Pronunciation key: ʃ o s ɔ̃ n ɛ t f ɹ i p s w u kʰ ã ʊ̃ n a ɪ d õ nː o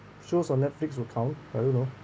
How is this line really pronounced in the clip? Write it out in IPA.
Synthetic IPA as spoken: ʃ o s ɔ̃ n ɛ t f l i k s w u kʰ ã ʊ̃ n a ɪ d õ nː o